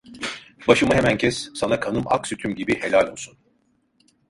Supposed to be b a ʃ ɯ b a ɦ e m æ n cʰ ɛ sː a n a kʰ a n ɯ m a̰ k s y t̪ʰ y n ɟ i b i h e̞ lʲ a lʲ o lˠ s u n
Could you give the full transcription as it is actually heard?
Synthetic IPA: b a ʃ ɯ m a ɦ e m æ n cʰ ɛ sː a n a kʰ a n ɯ m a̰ k s y t̪ʰ y m ɟ i b i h e̞ lʲ a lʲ o lˠ s u n